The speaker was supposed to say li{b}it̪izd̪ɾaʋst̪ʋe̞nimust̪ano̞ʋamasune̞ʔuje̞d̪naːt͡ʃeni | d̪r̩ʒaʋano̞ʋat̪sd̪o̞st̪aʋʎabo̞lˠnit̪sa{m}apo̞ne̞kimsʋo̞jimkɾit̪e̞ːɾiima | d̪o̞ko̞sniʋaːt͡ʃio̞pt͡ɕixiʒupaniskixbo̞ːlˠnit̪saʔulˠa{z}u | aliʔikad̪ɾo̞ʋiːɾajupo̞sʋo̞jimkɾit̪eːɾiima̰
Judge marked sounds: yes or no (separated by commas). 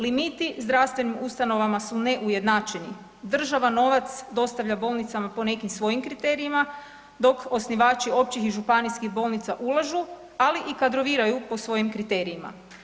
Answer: no, yes, no